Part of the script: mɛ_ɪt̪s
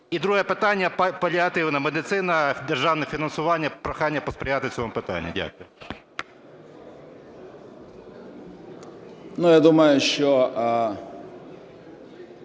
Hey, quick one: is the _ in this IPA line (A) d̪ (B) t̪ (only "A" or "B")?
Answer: A